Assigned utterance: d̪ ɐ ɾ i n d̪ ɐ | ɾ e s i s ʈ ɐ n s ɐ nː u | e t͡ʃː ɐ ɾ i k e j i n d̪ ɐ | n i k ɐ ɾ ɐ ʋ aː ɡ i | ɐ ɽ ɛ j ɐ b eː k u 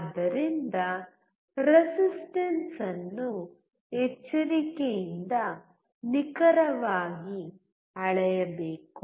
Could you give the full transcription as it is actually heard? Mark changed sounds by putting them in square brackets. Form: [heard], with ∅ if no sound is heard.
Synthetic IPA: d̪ ɐ ɾ i n d̪ ɐ | ɾ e s i s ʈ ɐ n s ɐ nː u | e t͡ʃː ɐ ɾ i k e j i n d̪ ɐ | n i k ɐ ɾ ɐ ʋ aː ɡ i | ɐ [ɭ] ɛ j ɐ b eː k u